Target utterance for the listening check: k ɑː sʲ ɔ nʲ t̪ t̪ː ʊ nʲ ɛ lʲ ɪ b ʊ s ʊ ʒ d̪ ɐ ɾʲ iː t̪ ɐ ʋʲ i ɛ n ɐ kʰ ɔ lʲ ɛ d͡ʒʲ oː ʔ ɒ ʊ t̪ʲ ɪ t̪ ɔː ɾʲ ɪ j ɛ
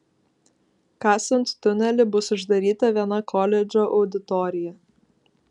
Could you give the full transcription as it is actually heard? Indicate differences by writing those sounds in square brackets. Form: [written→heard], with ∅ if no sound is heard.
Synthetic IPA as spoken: k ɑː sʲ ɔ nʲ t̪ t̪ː ʊ nʲ ɛ lʲ ɪ b ʊ s ʊ ʒ d̪ ɐ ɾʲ iː t̪ ɐ ʋʲ i ɛ n ɐ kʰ ɔ lʲ ɛ d͡ʒʲ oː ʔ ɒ ʊ [t̪ʲ→d̪ʲ] ɪ t̪ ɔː ɾʲ ɪ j ɛ